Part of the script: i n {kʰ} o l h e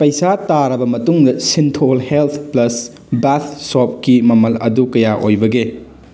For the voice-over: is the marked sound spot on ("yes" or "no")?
no